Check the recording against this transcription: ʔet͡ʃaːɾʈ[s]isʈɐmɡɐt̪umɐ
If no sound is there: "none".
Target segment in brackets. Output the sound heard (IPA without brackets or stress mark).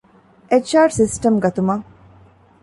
s